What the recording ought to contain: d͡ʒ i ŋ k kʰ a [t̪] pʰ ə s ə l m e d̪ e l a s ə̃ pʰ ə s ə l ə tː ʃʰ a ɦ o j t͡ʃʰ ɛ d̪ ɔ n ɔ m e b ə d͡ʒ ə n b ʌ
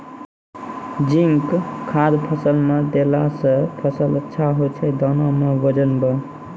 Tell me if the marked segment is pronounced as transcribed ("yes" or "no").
no